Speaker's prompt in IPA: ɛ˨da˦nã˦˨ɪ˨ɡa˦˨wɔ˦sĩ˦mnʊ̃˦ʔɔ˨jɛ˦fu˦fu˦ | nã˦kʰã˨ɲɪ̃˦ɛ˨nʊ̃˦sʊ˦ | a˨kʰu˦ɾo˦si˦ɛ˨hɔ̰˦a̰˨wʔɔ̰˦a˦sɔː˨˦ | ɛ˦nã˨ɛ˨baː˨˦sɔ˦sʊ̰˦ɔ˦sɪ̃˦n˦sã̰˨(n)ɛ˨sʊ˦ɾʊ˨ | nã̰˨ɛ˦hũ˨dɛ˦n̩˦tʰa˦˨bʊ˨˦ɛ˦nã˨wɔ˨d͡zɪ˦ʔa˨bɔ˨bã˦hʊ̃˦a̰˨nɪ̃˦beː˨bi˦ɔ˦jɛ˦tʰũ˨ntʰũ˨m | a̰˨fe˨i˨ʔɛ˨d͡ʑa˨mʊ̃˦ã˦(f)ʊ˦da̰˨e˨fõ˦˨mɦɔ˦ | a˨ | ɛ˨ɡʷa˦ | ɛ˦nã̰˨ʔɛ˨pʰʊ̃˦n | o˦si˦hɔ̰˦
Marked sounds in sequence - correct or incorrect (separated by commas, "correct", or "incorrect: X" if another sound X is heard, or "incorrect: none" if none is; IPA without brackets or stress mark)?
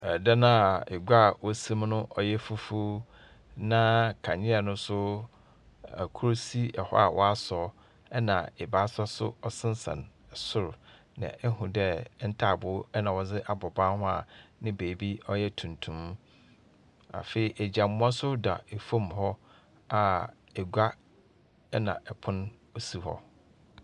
correct, incorrect: s